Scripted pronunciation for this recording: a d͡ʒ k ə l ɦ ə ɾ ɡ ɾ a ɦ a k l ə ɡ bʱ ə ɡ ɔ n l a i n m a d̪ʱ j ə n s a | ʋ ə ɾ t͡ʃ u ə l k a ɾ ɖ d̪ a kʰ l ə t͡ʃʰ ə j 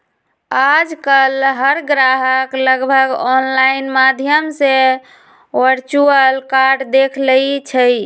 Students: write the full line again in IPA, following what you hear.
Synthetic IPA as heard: a d͡ʒ k ə l ɦ ə ɾ ɡ ɾ a ɦ ə k l ə ɡ bʱ ə ɡ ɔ n l a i n m a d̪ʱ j ə m s e | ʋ ə ɾ t͡ʃ u ə l k a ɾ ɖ d̪ e kʰ l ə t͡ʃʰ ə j